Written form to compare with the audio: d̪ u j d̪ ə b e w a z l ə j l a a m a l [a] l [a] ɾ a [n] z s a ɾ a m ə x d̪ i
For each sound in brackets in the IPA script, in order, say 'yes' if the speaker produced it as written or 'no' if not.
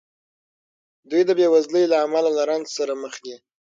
yes, yes, yes

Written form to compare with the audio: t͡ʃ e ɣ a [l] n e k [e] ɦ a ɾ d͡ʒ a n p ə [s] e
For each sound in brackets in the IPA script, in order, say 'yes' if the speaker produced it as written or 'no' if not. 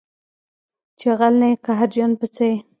yes, no, no

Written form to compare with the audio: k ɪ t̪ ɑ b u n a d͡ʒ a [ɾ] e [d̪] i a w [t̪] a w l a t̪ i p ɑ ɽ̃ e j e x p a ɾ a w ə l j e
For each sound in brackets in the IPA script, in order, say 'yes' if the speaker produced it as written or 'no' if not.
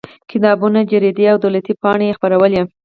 yes, yes, no

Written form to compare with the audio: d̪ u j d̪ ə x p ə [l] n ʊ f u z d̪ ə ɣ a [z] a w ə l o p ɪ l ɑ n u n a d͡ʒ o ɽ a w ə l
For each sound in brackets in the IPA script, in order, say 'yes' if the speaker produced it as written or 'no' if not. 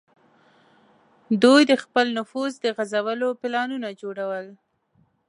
yes, yes

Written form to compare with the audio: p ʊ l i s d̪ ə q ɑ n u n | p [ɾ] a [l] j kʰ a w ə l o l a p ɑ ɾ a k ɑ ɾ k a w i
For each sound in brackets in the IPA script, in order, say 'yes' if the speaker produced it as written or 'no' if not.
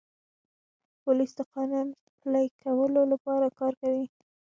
no, no

